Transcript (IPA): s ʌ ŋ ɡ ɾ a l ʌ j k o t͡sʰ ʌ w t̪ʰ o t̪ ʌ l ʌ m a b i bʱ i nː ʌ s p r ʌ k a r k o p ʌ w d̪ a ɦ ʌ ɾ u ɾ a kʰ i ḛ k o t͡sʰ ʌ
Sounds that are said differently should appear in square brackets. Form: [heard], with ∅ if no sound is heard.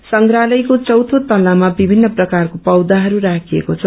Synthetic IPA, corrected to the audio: s ʌ ŋ ɡ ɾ a l ʌ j k o [t͡s] ʌ w t̪ʰ o t̪ ʌ l [a] m a b i bʱ i nː ʌ [∅] p r ʌ k a r k o p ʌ w d̪ a ɦ ʌ ɾ u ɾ a kʰ i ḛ k o t͡sʰ ʌ